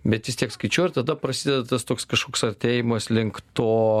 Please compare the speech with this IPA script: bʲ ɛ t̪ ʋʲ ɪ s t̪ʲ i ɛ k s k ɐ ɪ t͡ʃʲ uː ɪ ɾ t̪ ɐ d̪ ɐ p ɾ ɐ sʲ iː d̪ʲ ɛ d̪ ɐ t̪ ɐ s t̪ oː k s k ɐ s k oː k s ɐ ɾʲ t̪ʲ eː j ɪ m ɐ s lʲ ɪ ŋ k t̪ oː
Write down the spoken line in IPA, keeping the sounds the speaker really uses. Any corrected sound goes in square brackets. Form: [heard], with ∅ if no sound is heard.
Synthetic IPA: bʲ ɛ t̪ ʋʲ ɪ s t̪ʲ i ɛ k s k ɐ ɪ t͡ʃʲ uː ɪ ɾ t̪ ɐ d̪ ɐ p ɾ ɐ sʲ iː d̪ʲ ɛ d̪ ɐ t̪ ɐ s t̪ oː k s k ɐ [ʃ] k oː k s ɐ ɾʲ t̪ʲ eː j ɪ m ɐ s lʲ ɪ ŋ k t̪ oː